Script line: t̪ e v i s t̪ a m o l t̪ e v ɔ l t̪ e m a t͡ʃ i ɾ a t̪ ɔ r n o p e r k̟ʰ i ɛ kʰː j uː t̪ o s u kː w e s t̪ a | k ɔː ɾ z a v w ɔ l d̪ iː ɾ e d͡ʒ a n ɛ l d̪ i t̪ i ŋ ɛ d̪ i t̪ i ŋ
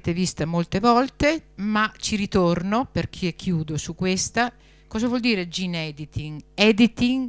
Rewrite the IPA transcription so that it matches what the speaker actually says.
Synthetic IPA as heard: t̪ e v i s t̪ a m o l t̪ e v ɔ l t̪ e m a t͡ʃ i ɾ i t̪ o r n o p e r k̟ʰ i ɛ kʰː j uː d̪ o s u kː w e s t̪ a | k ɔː z a v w ɔ l d̪ iː ɾ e d͡ʒ i n ɛ d̪ i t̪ i ŋ ɛ d̪ i t̪ i ŋ